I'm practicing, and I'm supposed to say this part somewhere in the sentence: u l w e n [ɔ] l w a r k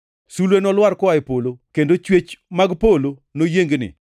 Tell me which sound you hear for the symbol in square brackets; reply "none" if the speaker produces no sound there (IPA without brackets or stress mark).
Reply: ɔ